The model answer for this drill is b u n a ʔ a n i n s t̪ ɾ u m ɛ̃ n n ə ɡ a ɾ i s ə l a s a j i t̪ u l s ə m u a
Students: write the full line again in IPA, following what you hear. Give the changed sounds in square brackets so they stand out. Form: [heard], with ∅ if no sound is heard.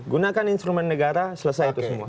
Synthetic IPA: [ɡ] u n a [k] a n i n s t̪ ɾ u m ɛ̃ n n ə ɡ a ɾ [a] s ə l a s a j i t̪ u [∅] s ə m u a